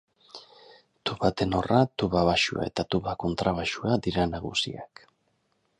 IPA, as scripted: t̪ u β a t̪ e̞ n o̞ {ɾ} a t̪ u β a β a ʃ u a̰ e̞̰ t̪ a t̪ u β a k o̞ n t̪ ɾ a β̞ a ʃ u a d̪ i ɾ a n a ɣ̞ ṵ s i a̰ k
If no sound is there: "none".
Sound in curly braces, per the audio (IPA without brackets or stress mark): r